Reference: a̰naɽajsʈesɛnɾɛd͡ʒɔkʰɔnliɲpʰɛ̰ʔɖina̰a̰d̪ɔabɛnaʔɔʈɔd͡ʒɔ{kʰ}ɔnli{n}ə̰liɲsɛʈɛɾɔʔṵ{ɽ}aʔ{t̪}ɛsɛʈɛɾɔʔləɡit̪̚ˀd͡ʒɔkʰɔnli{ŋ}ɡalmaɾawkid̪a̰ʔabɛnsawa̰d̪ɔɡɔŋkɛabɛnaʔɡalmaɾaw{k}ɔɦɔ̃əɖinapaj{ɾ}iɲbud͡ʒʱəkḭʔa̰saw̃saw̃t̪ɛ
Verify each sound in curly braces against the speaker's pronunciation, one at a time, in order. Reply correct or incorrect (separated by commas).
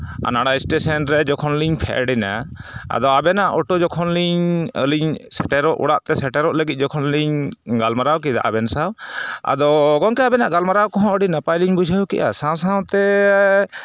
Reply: correct, incorrect, correct, correct, incorrect, correct, incorrect